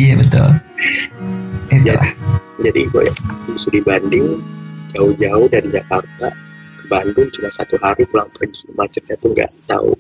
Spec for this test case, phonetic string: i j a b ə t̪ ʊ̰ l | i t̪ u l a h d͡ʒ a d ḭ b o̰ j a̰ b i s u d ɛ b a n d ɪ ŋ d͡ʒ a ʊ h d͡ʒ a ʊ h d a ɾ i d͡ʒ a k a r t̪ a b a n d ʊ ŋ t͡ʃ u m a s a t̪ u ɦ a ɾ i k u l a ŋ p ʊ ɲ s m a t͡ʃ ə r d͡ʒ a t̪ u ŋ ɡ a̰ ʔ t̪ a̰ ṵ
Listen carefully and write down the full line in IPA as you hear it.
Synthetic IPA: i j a b ə t̪ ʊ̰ l | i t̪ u l a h d͡ʒ a d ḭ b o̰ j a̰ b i s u d i b a n d ɪ ŋ d͡ʒ a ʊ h d͡ʒ a ʊ h d a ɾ i d͡ʒ a k a r t̪ a b a n d ʊ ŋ t͡ʃ u m a s a t̪ u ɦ a ɾ i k u l a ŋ p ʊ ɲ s m a t͡ʃ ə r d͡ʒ a t̪ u ŋ ɡ a̰ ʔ t̪ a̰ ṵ